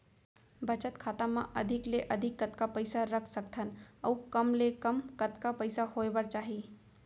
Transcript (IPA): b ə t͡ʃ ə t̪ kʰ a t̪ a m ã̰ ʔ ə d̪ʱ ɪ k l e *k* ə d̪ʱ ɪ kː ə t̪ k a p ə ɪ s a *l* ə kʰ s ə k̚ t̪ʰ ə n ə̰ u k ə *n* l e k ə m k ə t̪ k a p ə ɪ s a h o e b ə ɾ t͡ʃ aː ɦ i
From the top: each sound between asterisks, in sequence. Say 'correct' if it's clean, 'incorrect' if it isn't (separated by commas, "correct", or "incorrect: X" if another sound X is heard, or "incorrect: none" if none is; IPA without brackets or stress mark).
incorrect: ʔ, incorrect: ɾ, incorrect: m